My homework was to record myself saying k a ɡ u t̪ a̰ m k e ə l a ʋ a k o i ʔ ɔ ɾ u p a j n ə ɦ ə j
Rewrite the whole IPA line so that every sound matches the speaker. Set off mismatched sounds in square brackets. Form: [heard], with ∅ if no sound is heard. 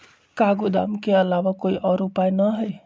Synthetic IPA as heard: k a ɡ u [d̪] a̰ m k e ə l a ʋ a k o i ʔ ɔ ɾ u p a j n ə ɦ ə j